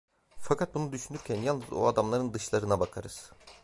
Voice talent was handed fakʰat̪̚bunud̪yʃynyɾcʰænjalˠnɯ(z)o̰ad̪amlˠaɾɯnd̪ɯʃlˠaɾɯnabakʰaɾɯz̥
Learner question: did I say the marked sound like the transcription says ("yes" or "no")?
yes